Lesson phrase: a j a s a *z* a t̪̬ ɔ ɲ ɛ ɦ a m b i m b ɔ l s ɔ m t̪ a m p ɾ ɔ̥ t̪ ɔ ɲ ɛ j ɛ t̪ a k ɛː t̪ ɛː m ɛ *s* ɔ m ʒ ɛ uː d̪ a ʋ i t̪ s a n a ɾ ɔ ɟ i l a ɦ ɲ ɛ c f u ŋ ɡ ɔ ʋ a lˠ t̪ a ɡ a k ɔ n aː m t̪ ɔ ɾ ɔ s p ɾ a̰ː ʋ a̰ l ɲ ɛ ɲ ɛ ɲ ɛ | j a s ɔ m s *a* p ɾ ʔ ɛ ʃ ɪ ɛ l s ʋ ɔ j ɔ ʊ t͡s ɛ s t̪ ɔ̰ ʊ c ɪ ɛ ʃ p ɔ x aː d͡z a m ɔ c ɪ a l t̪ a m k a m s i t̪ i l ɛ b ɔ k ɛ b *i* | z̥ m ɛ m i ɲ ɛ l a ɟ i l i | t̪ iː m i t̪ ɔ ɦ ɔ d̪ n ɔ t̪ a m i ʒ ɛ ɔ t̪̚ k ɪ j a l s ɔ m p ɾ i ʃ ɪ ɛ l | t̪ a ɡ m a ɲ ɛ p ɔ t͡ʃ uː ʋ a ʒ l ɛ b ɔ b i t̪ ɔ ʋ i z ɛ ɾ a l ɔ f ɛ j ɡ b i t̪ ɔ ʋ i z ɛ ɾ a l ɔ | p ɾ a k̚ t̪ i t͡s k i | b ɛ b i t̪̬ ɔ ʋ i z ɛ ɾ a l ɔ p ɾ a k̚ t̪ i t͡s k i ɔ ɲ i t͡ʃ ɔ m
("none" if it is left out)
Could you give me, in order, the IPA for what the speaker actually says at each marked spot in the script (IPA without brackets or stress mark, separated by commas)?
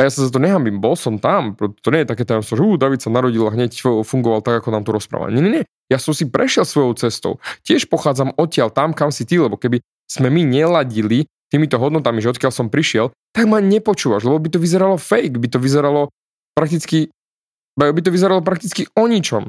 z, s, i, i